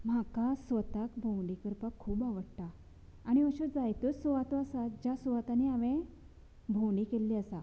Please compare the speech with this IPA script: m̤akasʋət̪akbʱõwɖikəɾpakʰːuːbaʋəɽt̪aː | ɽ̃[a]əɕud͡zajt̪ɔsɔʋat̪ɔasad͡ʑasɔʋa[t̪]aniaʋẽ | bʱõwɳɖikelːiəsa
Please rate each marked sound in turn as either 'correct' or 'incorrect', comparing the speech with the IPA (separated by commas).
incorrect, correct